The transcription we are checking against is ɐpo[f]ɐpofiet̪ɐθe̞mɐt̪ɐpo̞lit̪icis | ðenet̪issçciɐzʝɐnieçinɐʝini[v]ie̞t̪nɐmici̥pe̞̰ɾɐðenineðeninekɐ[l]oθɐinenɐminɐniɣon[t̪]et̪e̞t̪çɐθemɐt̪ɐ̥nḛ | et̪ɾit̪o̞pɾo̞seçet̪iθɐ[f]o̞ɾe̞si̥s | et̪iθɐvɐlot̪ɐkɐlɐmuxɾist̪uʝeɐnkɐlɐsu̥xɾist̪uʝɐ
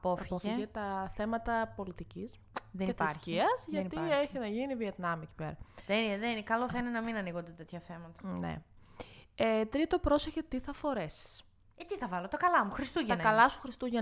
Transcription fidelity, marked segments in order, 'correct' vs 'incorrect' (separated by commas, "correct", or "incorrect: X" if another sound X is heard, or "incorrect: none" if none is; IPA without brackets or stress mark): correct, correct, correct, incorrect: d̪, correct